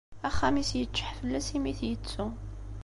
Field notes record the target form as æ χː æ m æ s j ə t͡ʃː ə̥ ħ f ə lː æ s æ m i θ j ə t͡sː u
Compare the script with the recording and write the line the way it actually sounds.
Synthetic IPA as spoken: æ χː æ m i s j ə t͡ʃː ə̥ ħ f ə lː æ s i m i θ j ə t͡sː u

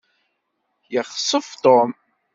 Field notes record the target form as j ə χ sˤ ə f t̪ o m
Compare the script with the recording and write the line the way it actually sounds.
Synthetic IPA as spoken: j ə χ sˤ ə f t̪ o m

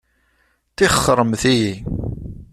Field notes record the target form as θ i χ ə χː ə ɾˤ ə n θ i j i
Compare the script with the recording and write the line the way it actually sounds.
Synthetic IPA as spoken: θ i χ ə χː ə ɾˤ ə m θ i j i

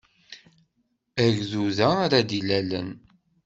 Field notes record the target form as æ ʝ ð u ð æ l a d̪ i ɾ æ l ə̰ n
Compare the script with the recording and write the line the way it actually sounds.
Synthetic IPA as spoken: æ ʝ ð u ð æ ɾ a d̪ i l æ l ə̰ n

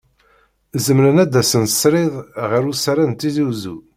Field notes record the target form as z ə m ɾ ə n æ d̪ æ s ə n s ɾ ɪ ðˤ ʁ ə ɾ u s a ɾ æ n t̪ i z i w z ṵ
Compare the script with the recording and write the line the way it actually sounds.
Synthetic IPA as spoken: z ə m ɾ ə n æ d̪ æ s ə n s ɾ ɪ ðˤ ʁ ə ɾ u s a ɾ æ n t̪ i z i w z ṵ

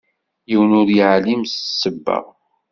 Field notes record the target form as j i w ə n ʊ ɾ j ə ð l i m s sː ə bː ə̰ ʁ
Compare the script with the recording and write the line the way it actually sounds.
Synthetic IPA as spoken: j i w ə n ʊ ɾ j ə ʕ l i m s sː ə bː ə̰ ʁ

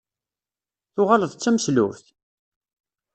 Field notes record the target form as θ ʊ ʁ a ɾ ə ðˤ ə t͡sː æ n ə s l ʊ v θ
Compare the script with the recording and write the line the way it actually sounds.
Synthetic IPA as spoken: θ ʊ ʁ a l ə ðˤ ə t͡sː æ m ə s l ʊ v θ

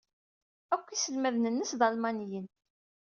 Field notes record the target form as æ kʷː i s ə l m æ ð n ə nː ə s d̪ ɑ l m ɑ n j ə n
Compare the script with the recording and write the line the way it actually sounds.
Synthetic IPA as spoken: æ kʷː i s ə l m æ ð n ə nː ə s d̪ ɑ l m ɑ n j ə n

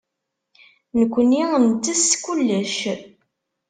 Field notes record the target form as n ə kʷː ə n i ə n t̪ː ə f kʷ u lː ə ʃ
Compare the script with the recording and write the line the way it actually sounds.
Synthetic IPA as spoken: n ə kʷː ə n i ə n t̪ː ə s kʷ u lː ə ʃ

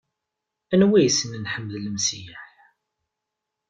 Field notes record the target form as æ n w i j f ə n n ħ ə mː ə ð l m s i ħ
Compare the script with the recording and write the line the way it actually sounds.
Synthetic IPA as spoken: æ n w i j s ə n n ħ ə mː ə ð l m s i ħ

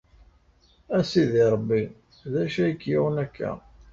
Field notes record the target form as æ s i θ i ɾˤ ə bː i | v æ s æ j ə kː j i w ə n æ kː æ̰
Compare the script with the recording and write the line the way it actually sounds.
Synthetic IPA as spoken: æ s i ð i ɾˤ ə bː i | ð æ ʃ æ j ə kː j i w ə n æ kː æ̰

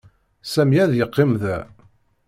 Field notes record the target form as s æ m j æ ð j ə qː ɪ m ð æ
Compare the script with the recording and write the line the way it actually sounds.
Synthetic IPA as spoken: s æ m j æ ð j ə qː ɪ m ð æ

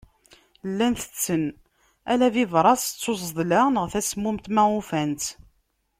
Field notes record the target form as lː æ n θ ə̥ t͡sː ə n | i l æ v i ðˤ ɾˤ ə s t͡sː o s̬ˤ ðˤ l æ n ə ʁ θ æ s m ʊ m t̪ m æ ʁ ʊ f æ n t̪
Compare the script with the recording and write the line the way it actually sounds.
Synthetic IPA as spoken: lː æ n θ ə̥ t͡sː ə n | æ l æ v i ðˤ ɾˤ ɑ s t͡sː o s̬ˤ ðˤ l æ n ə ʁ θ æ s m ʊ m t̪ m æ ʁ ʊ f æ n t̪

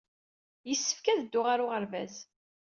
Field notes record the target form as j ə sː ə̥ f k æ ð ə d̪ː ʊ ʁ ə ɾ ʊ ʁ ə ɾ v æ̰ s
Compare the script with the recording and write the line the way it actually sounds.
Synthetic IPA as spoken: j ə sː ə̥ f k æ ð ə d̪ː ʊ ʁ a ɾ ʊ ʁ ə ɾ v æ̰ z

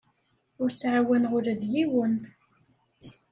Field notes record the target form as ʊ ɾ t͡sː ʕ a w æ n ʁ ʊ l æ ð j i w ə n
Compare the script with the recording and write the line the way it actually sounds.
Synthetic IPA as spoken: ʊ ɾ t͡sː ʕ a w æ n ʁ ʊ ɾ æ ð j i w ə n

